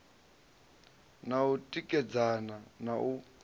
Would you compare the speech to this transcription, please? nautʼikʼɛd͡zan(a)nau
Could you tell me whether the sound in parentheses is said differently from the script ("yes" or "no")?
no